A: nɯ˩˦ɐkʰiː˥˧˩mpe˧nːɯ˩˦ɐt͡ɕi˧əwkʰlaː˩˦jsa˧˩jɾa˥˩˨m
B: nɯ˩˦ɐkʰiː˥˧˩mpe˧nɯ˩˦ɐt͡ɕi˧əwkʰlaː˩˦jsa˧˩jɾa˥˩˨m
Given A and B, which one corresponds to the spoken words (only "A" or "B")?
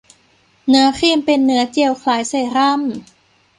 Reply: A